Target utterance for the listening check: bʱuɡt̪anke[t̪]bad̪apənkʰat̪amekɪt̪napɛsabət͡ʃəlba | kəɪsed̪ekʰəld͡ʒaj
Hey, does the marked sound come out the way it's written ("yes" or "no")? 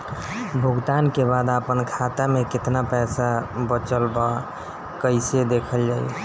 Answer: no